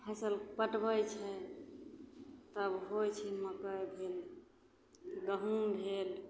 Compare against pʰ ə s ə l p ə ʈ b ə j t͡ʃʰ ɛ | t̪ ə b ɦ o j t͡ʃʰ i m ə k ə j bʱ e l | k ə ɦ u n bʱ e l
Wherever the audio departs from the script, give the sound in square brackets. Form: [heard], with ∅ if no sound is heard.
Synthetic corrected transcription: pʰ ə s ə l p ə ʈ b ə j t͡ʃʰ ɛ | t̪ ə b ɦ o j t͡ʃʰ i m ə k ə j bʱ e l | [ɡ] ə ɦ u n bʱ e l